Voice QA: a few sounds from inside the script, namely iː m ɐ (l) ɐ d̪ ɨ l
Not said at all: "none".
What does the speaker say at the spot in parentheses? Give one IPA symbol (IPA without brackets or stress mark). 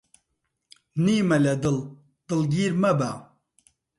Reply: l